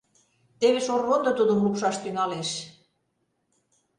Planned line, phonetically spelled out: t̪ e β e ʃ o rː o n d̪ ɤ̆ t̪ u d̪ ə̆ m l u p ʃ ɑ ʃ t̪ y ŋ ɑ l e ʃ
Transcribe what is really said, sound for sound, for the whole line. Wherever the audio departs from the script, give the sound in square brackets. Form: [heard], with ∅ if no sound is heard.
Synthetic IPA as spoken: t̪ e β e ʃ o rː o n d̪ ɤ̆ t̪ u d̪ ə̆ m l u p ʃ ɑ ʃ t̪ y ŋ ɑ l e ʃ